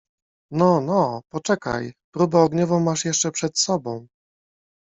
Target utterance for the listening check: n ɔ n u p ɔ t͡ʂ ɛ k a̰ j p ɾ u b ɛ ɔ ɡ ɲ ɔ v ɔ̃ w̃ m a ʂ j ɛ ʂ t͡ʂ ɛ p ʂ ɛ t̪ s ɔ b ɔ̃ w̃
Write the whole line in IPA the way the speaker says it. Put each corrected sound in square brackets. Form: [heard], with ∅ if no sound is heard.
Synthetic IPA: n ɔ n [ɔ] p ɔ t͡ʂ ɛ k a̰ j p ɾ u b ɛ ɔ ɡ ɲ ɔ v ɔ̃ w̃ m a ʂ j ɛ ʂ t͡ʂ ɛ p ʂ ɛ t̪ s ɔ b ɔ̃ w̃

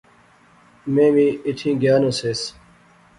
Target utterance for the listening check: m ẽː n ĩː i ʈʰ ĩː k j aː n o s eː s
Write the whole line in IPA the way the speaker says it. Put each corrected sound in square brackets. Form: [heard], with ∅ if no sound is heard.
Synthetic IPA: m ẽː [m] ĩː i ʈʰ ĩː [ɡ] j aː n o s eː s

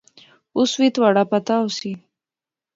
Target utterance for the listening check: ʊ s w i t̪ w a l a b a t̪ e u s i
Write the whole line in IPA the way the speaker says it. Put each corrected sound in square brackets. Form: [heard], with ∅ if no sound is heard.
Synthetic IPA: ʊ s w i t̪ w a [ɽ] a [p] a t̪ [a] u s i

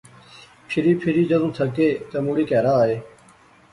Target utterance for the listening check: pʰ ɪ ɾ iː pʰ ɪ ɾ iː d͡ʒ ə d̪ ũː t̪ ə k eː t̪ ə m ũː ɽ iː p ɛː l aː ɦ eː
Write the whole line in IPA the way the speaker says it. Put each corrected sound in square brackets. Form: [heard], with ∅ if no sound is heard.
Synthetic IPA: pʰ ɪ ɾ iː pʰ ɪ ɾ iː d͡ʒ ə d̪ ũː [t̪ʰ] ə k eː t̪ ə m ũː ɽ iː [k] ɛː [ɾ] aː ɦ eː

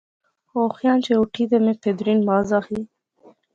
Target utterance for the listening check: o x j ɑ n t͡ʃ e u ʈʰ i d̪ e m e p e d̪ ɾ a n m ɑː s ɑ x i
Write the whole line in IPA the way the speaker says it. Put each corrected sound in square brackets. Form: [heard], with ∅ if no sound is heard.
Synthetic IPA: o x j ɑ n t͡ʃ e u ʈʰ i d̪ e m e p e d̪ ɾ [i] n m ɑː [z] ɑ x i

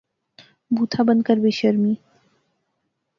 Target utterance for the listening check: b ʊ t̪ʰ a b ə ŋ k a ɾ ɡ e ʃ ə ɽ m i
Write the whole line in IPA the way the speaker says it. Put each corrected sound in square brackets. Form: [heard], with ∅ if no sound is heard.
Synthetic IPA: b [u] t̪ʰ a b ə [n] k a ɾ [b] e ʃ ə [ɾ] m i

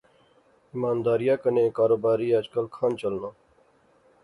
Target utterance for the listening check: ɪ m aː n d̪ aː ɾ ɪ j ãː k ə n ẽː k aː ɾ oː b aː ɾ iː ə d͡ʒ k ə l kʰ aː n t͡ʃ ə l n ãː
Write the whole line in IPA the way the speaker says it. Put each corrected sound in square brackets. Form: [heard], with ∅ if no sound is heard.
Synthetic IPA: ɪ m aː n d̪ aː ɾ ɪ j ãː k ə n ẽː k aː ɾ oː b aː ɾ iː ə d͡ʒ k ə l kʰ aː n t͡ʃ ə l n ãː

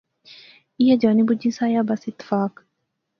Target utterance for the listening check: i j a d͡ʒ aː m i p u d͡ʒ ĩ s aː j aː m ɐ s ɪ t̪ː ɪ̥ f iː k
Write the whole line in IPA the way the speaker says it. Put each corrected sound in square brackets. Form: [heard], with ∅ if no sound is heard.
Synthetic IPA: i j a d͡ʒ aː [n] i [b] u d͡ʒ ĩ s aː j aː [b] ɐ s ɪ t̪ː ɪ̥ f [aː] k

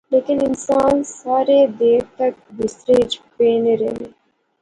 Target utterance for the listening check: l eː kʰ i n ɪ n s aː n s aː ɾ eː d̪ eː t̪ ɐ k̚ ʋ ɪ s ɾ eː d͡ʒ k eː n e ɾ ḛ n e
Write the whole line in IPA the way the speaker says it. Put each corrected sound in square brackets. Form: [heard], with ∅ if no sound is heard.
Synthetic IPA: l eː [k] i n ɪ n s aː n s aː ɾ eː d̪ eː t̪ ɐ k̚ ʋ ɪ s ɾ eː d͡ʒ [p] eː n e ɾ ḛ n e

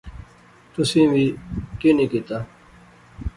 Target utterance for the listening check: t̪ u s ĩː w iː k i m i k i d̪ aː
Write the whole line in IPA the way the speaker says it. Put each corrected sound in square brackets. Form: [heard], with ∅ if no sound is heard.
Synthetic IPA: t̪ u s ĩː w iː k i [n] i k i [t̪] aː

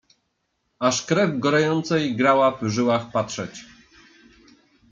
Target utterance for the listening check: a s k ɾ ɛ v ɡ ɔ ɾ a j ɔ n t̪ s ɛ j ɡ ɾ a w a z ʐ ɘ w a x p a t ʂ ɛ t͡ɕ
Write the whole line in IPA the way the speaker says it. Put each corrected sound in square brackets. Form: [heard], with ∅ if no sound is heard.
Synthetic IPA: a [ʂ] k ɾ ɛ v ɡ ɔ ɾ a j ɔ n t̪ s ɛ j ɡ ɾ a w a [v] ʐ ɘ w a x p a t ʂ ɛ t͡ɕ

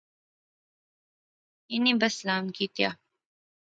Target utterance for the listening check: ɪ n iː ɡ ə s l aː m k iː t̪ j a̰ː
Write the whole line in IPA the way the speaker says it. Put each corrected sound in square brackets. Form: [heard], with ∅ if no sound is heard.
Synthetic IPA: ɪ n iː [b] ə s l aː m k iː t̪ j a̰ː

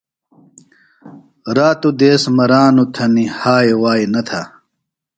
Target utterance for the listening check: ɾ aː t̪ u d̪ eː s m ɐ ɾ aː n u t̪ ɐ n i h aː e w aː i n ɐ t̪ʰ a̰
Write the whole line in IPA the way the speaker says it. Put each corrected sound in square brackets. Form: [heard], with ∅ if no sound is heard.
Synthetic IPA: ɾ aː t̪ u d̪ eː s m ɐ ɾ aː n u [t̪ʰ] ɐ n i h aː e w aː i n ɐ t̪ʰ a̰

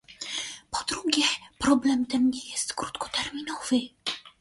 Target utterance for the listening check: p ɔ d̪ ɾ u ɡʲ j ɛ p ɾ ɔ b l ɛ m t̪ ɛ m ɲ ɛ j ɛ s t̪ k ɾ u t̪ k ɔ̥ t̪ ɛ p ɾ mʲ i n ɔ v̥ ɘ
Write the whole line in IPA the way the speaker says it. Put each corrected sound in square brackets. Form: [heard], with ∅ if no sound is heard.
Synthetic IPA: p ɔ d̪ ɾ u ɡʲ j ɛ p ɾ ɔ b l ɛ m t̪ ɛ m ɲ ɛ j ɛ s t̪ k ɾ u t̪ k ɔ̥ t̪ ɛ [∅] ɾ mʲ i n ɔ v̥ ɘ

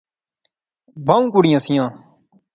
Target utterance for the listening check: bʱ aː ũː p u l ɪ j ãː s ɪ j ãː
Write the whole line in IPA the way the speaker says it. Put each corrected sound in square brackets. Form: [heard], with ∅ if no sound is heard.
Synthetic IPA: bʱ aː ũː [k] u [ɽ] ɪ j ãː s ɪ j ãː

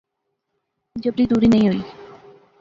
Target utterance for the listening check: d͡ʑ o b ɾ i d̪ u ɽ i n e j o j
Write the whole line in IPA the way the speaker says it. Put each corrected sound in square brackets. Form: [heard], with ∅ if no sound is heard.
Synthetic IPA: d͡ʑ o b ɾ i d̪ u [ɾ] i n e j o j

